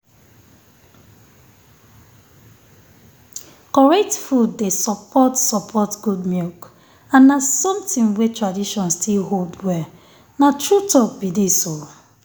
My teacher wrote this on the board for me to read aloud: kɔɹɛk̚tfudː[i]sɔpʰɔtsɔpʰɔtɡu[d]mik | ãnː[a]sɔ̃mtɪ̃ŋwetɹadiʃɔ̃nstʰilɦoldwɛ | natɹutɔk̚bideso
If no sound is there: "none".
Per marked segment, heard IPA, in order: e, d, a

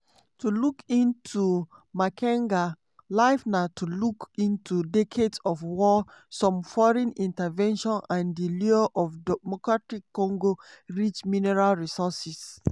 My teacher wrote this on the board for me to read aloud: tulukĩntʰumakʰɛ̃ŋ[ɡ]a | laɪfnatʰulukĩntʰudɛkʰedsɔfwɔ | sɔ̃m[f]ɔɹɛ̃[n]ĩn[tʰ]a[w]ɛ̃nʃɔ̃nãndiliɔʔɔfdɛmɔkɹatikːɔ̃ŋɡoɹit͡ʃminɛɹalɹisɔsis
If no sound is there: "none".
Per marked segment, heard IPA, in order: ɡ, f, n, t, v

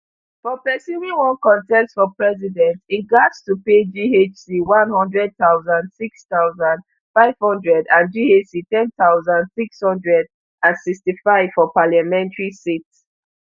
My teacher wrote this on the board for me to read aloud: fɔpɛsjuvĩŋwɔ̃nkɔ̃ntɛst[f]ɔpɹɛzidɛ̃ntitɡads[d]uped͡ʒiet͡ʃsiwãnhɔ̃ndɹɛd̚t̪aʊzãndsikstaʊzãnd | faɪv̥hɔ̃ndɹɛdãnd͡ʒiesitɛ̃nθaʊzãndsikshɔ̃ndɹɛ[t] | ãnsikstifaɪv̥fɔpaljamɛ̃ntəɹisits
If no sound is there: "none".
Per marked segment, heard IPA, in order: f, t, d

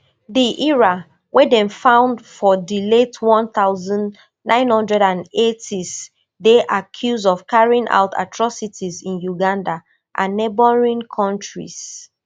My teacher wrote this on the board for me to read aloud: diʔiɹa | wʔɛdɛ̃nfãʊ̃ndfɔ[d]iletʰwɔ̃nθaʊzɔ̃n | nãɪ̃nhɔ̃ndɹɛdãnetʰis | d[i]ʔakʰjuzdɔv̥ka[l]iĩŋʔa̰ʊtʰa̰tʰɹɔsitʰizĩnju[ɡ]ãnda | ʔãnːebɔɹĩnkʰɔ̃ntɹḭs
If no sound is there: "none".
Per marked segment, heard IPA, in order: d, e, ɹ, ɡ

